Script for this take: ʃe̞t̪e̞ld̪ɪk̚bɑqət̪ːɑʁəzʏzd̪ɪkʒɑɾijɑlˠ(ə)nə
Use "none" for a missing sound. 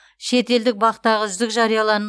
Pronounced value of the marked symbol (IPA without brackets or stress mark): ɑ